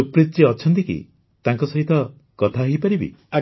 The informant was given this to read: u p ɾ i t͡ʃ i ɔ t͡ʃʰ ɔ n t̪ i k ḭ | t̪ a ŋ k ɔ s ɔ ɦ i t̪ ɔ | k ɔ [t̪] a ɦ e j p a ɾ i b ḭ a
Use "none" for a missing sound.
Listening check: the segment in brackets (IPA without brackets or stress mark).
t̪ʰ